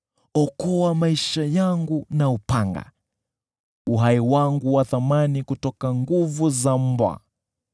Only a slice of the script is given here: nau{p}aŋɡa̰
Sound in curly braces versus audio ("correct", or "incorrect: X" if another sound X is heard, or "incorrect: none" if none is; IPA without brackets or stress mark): correct